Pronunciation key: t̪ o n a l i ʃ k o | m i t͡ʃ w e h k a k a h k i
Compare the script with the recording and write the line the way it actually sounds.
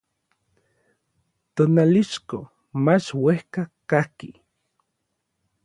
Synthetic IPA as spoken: t̪ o n a l i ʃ k o | m a t͡ʃ w e h k a k a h k i